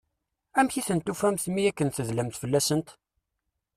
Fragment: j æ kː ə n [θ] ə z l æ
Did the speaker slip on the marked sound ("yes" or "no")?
no